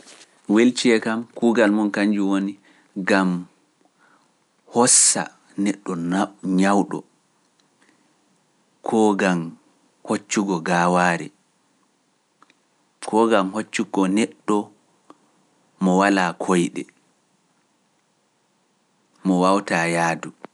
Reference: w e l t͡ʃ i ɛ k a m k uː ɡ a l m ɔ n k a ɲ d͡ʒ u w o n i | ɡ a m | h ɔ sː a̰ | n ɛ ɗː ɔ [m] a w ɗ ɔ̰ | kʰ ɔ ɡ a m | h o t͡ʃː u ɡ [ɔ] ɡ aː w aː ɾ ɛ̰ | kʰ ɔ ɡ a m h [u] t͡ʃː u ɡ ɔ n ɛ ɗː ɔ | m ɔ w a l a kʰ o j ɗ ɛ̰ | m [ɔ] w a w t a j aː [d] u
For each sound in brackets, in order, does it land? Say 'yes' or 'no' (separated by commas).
no, yes, no, yes, yes